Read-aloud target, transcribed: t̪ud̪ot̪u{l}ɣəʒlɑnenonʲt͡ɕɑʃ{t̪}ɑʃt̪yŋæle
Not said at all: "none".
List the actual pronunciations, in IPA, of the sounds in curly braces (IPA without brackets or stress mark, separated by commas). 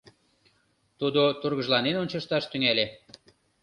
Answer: r, t̪